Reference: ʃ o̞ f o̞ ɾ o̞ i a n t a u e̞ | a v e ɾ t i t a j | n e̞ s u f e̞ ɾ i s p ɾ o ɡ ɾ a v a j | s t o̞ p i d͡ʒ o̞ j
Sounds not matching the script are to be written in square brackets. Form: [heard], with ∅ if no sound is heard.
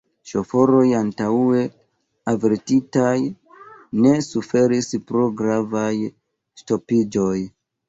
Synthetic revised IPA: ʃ o̞ f o̞ ɾ o̞ [j] a n t a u e̞ | a v e ɾ t i t a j | n e̞ s u f e̞ ɾ i s p ɾ o ɡ ɾ a v a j | s t o̞ p i d͡ʒ o̞ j